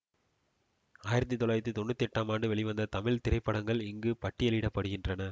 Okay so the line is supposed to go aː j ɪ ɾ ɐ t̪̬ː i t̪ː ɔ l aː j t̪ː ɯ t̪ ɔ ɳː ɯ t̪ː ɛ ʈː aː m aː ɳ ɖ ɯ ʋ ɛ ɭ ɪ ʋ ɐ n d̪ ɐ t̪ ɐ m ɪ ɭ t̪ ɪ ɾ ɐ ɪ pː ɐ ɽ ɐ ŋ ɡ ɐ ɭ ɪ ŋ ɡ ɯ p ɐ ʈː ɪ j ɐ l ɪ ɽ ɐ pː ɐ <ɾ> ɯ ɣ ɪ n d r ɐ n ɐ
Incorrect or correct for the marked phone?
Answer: incorrect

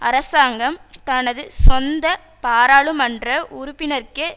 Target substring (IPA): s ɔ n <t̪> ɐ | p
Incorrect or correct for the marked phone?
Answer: incorrect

